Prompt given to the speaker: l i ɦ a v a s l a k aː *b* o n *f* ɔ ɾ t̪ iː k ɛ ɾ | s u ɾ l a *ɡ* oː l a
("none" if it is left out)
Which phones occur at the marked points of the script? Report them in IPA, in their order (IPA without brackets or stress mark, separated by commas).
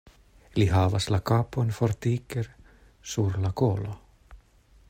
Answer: p, f, k